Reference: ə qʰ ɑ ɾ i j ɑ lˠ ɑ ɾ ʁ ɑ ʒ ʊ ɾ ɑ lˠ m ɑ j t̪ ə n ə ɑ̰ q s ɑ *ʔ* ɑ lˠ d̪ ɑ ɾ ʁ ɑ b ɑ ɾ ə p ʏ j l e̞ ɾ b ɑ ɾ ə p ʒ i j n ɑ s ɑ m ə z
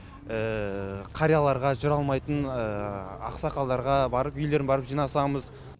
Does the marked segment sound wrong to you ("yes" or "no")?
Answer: yes